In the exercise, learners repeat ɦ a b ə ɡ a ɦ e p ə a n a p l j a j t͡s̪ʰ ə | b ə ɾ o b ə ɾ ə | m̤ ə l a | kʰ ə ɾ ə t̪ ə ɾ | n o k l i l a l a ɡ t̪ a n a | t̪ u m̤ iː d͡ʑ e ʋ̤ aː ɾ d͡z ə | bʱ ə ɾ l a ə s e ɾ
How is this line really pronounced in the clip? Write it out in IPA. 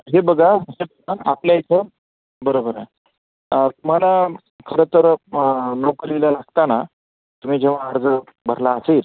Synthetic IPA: ɦ e b ə ɡ a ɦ e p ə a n a p l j a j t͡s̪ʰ ə | b ə ɾ o b ə ɾ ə | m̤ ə l a | kʰ ə ɾ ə t̪ ə ɾ | n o k ɾ i l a l a ɡ t̪ a n a | t̪ u m̤ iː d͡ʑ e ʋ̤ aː ɾ d͡z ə | bʱ ə ɾ l a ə s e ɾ